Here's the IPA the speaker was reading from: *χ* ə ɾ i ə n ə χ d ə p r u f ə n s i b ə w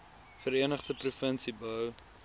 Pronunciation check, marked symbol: incorrect: f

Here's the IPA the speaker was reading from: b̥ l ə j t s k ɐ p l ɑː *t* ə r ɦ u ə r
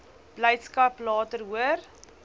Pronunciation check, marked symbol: correct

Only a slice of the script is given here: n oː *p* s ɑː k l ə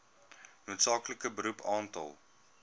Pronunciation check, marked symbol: incorrect: t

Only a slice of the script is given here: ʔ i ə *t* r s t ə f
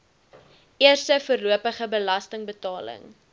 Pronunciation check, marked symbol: incorrect: none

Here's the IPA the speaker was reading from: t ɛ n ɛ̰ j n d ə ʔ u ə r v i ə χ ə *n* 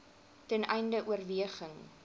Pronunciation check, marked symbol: incorrect: ŋ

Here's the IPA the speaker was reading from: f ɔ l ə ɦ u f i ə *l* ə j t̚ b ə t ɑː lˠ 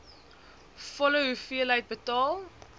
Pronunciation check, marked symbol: correct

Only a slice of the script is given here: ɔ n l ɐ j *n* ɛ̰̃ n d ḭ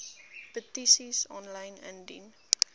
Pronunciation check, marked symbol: correct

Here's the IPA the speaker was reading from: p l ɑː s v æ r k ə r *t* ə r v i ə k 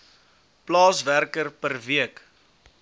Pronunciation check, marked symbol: incorrect: p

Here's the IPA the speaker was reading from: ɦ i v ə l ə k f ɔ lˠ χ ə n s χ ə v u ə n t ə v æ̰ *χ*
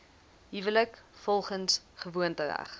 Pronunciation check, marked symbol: correct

